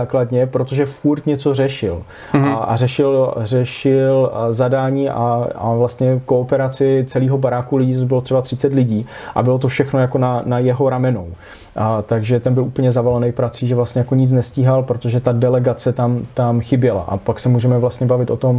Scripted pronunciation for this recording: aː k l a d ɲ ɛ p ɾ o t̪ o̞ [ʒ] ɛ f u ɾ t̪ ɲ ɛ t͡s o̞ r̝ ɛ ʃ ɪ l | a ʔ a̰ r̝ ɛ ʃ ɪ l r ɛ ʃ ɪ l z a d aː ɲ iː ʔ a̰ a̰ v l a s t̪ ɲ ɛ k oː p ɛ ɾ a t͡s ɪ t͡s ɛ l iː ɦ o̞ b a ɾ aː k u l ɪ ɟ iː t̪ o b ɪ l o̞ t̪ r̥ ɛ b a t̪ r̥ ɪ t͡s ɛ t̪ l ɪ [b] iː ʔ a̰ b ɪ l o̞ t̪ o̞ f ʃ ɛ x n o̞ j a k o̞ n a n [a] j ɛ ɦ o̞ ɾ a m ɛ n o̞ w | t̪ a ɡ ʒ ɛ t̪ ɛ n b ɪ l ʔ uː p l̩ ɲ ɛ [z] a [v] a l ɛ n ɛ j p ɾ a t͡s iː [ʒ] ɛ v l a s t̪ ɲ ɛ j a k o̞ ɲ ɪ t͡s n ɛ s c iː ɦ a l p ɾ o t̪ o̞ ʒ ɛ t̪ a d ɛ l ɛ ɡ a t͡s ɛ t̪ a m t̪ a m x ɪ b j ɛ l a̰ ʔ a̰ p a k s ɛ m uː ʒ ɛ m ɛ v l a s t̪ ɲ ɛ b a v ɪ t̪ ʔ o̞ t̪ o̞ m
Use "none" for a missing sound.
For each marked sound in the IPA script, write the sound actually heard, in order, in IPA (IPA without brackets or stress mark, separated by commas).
ʒ, ɟ, a, z, v, ʒ